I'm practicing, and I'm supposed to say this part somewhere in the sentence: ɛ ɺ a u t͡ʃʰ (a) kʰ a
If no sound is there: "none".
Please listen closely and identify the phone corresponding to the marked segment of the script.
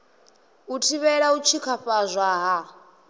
i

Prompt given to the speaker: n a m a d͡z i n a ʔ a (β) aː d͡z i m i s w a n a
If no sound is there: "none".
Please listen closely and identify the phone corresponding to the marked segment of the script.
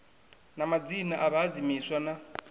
β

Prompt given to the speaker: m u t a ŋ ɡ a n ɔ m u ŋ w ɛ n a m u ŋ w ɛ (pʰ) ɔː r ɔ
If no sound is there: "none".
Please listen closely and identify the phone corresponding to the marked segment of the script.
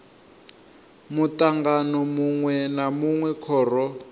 kʰ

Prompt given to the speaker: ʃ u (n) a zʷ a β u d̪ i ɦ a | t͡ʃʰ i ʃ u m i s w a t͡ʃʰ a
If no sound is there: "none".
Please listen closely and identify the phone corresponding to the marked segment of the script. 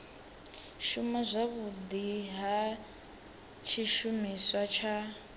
m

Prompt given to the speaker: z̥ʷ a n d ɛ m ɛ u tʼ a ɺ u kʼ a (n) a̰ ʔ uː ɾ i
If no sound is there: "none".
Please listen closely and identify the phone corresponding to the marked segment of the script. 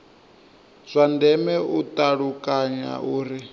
ɲ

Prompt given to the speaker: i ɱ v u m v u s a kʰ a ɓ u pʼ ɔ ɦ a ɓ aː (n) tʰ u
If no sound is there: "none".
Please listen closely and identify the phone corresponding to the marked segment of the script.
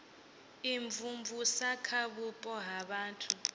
n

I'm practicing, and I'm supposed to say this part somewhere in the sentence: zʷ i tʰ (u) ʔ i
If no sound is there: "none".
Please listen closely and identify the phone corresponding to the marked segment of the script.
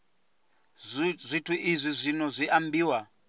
u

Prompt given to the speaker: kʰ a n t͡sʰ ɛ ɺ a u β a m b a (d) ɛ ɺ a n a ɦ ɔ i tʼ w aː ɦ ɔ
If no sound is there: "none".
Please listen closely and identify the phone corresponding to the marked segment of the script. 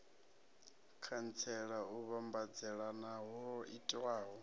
d͡z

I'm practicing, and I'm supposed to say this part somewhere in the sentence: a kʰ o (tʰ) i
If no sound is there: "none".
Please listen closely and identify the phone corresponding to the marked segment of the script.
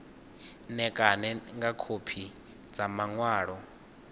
pʰ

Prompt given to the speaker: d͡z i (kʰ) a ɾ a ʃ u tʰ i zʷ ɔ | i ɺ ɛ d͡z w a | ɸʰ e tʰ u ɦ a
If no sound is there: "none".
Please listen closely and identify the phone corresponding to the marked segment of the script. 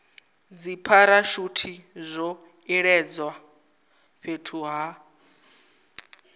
pʰ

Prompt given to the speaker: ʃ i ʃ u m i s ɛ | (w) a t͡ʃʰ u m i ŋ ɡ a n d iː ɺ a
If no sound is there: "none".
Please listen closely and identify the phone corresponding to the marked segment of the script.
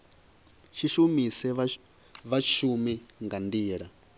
β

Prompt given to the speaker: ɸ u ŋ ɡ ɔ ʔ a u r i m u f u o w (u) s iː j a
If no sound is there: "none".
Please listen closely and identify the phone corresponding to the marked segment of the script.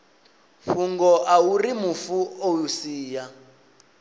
u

